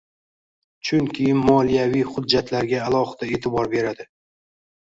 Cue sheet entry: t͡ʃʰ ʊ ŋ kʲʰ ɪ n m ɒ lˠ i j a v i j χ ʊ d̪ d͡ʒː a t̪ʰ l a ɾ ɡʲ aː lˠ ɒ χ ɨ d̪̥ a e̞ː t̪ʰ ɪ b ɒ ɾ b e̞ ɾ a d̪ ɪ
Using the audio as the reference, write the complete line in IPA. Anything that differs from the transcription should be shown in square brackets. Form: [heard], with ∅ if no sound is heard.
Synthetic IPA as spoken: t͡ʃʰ ʊ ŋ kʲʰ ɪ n m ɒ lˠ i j a v i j χ ʊ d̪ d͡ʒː a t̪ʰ l a ɾ ɡʲ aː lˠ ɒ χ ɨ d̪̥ a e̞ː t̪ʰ ɪ b ɒ ɾ b e̞ ɾ a d̪ ɪ